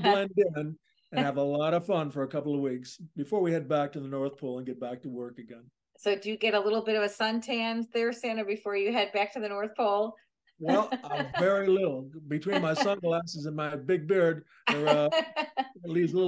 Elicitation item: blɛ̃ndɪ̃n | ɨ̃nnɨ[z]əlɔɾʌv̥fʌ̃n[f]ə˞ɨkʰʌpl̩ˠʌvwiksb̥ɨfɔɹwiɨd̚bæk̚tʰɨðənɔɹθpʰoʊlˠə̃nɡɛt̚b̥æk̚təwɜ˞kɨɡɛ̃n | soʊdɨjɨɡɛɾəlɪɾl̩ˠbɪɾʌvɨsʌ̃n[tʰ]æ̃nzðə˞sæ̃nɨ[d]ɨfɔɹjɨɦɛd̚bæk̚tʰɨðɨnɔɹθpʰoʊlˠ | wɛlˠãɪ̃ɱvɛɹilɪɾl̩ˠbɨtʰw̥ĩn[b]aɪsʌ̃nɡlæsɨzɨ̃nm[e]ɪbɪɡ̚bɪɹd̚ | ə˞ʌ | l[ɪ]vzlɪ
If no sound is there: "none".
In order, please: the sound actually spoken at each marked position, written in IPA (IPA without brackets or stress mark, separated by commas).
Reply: v, f, tʰ, b, m, a, i